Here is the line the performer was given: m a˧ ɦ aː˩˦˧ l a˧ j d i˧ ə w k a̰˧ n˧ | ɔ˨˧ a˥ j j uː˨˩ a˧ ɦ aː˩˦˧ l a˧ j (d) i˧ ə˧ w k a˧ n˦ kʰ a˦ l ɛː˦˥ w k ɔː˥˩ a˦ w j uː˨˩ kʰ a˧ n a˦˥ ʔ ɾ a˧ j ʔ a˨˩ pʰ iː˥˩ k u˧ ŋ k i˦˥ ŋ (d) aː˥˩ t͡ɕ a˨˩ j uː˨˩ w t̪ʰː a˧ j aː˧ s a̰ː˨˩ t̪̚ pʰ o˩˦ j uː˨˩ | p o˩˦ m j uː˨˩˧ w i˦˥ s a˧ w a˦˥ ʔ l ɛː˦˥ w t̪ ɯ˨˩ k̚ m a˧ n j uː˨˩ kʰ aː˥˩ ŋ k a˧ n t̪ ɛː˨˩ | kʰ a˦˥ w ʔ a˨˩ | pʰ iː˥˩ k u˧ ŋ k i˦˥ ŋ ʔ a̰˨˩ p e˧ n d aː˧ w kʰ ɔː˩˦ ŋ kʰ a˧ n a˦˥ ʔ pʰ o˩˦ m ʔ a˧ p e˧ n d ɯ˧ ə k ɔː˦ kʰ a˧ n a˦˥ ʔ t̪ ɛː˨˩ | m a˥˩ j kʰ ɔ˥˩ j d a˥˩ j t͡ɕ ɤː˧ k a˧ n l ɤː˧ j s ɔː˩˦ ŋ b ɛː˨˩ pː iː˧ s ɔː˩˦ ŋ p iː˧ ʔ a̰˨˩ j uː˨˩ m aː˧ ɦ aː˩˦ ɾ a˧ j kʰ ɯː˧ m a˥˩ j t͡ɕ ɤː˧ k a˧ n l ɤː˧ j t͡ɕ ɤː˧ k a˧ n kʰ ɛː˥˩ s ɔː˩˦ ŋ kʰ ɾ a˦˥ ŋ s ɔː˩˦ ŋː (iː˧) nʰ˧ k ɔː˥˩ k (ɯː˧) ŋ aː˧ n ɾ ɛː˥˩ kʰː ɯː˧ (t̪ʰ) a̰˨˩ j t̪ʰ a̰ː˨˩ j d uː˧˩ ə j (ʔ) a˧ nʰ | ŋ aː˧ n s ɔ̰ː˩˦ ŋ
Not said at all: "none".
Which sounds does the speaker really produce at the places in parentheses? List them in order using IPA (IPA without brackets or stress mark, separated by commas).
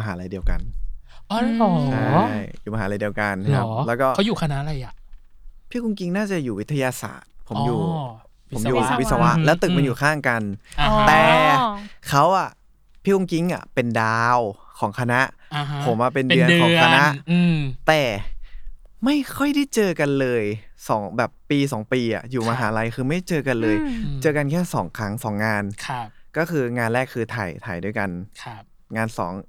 d, n, aː˧, ɯː˧, t̪ʰ, k